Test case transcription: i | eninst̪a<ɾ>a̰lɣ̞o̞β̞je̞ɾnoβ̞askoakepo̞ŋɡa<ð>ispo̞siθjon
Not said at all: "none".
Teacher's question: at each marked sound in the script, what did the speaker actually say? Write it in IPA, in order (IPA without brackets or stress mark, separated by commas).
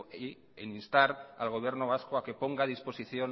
ɾ, ð